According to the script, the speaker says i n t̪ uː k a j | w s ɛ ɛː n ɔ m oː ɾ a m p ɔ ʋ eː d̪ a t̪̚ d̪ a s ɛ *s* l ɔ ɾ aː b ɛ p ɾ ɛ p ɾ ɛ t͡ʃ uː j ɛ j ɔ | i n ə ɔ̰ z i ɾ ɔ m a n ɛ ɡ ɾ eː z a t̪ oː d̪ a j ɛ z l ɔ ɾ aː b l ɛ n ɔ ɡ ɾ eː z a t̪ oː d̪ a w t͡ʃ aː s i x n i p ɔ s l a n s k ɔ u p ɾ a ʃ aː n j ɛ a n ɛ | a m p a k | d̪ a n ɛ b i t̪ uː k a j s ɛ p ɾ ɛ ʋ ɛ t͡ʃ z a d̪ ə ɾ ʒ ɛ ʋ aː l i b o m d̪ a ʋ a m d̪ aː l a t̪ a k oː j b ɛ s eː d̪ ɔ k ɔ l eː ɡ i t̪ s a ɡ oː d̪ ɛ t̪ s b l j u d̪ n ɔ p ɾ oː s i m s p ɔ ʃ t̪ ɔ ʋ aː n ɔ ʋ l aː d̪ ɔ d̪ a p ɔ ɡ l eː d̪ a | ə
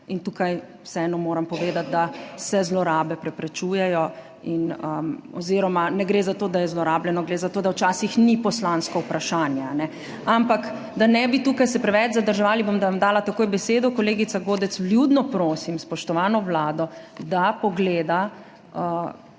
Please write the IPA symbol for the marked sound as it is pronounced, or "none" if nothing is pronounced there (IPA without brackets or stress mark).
z